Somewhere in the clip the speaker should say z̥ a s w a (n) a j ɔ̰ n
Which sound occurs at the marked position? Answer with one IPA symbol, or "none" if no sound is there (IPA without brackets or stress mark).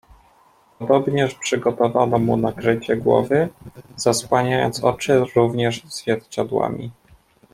ɲ